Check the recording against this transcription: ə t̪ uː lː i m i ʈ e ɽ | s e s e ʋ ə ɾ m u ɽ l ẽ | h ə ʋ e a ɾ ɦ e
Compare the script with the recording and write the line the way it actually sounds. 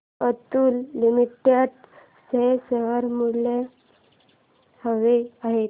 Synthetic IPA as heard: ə t̪ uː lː i m i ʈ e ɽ | s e s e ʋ ə ɾ m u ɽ l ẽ | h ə ʋ e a ɦ e

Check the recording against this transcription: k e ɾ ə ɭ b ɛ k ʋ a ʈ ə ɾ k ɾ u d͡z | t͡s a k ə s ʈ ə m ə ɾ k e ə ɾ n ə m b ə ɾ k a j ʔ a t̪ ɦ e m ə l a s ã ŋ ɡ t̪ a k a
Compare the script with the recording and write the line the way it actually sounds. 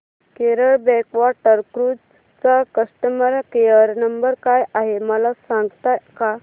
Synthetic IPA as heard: k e ɾ ə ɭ b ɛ k ʋ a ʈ ə ɾ k ɾ u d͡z | t͡s a k ə s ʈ ə m ə ɾ k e ə ɾ n ə m b ə ɾ k a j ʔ a ɦ e m ə l a s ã ŋ ɡ t̪ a k a

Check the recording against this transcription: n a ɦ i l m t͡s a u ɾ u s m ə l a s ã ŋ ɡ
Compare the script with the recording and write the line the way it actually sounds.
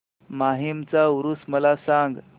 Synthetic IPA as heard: m a ɦ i m t͡s a u ɾ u s m ə l a s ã ŋ ɡ

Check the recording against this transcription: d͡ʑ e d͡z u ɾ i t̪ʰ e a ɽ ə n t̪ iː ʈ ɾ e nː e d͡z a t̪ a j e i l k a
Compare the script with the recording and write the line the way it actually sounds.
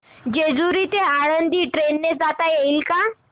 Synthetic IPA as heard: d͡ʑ e d͡z u ɾ i t̪ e a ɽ ə n d̪ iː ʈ ɾ e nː e d͡z a t̪ a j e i l k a

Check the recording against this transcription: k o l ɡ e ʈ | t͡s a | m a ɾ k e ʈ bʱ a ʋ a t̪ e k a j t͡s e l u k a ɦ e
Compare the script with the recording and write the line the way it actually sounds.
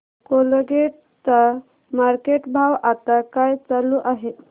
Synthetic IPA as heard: k o l ɡ e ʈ | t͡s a | m a ɾ k e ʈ bʱ a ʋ a t̪ a k a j t͡s a l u ʔ a ɦ e

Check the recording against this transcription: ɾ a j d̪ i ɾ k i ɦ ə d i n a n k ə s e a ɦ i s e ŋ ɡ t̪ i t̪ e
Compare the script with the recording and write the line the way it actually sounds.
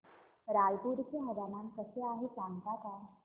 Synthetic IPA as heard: ɾ a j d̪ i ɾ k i ɦ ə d a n a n k ə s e a ɦ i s a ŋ ɡ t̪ a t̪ a

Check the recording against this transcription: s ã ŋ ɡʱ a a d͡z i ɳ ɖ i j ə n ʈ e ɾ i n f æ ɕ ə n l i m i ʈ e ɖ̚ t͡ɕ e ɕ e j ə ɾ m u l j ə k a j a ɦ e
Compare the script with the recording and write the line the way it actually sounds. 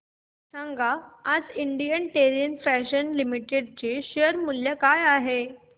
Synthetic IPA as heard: s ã ŋ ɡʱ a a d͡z i ɳ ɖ i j ə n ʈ e ɾ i n f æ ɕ ə n l i m i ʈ e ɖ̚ t͡ɕ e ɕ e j ə ɾ m u l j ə k a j a ɦ e

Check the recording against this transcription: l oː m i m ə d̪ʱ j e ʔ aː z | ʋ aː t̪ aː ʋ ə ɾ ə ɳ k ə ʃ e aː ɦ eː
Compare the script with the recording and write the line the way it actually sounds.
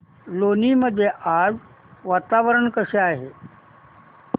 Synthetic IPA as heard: l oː n i m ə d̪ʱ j e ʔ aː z | ʋ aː t̪ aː ʋ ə ɾ ə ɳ k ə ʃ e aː ɦ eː

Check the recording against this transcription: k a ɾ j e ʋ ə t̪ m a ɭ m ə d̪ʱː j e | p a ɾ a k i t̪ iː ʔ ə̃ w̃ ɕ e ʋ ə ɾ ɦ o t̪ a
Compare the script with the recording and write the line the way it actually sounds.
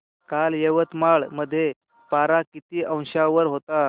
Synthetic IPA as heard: k a l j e ʋ ə t̪ m a ɭ m ə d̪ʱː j e | p a ɾ a k i t̪ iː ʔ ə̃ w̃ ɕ a ʋ ə ɾ ɦ o t̪ a

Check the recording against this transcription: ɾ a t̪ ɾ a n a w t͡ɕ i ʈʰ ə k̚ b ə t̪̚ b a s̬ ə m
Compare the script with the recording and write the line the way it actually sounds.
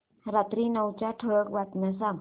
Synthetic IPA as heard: ɾ a t̪ ɾ i n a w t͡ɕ a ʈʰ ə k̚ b a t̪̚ m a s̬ a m

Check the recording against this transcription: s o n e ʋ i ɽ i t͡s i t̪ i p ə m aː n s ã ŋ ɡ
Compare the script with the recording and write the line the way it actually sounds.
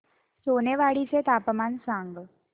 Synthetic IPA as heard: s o n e ʋ a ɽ i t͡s e t̪ a p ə m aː n s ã ŋ ɡ

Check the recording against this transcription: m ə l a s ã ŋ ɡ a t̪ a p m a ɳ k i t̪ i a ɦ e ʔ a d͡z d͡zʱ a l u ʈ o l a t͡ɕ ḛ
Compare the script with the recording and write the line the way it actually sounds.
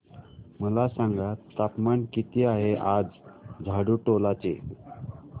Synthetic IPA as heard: m ə l a s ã ŋ ɡ a t̪ a p m a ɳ k i t̪ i a ɦ e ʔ a d͡z d͡zʱ a ɽ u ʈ o l a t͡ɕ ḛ

